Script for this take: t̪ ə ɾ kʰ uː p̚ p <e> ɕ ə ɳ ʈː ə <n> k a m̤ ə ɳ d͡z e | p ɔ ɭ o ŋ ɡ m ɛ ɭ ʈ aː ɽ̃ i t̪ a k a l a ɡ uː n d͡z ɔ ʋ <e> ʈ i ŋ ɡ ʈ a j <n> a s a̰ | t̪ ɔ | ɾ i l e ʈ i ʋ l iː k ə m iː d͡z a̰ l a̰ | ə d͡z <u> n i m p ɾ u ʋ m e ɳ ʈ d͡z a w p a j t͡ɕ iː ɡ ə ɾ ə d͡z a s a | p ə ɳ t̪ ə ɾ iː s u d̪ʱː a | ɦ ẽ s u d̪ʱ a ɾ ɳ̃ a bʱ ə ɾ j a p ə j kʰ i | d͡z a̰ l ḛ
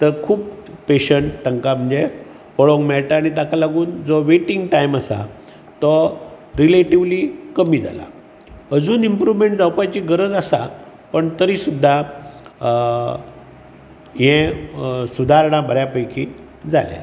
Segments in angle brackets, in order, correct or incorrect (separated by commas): correct, incorrect, correct, incorrect, incorrect